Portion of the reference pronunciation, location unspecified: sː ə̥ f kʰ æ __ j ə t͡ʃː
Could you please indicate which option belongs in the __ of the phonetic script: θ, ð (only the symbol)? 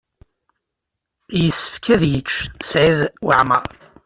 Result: ð